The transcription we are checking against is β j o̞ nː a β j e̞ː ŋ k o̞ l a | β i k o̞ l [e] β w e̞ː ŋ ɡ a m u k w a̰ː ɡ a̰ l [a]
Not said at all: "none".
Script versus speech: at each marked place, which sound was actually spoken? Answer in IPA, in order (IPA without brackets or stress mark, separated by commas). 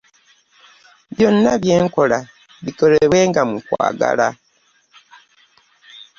e, a